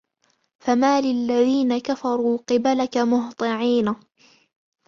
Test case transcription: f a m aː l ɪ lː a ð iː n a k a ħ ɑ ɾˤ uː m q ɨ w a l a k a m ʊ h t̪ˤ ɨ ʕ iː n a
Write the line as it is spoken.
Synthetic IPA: f a m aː l ɪ lː a ð iː n a k a f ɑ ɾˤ uː q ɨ b a l a k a m ʊ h t̪ˤ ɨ ʕ iː n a